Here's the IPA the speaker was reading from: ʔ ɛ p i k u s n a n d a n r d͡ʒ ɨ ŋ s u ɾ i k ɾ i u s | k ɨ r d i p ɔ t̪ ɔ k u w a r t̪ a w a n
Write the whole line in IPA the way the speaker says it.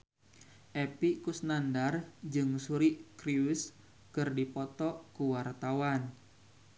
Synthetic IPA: ʔ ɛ p i k u s n a n d a r d͡ʒ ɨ ŋ s u ɾ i k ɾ i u s | k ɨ r d i p ɔ t̪ ɔ k u w a r t̪ a w a n